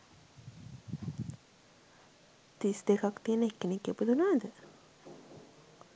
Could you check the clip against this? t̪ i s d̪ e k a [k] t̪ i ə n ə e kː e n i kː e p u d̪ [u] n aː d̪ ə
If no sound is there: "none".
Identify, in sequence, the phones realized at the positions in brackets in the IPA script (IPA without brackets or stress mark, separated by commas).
k, u